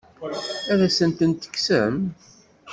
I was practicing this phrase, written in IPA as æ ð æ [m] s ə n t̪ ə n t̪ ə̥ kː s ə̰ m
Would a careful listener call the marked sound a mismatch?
yes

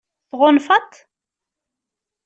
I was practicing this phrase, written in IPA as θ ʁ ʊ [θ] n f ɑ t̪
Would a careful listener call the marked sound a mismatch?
yes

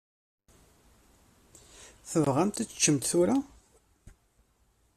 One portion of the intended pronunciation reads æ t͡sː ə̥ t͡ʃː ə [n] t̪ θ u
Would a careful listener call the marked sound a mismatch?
yes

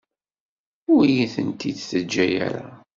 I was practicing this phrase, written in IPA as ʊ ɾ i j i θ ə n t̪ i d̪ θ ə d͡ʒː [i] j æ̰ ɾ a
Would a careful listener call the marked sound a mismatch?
yes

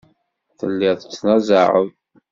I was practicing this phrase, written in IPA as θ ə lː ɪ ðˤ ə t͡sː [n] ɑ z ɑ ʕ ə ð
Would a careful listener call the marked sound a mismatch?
no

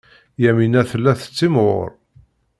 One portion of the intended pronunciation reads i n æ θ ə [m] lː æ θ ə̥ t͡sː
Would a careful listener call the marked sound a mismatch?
yes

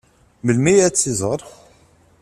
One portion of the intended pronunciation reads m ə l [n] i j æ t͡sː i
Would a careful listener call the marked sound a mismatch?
yes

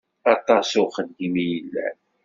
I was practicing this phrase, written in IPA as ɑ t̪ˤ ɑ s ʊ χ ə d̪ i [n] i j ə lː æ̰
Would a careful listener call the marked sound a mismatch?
yes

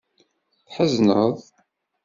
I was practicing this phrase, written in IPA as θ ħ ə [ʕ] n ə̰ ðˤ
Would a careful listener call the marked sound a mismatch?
yes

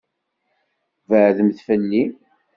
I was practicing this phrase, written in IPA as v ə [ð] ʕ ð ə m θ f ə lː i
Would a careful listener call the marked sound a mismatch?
yes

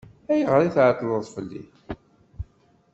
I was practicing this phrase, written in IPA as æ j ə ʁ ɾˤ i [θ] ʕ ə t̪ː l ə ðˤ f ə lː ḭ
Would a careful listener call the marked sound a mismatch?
no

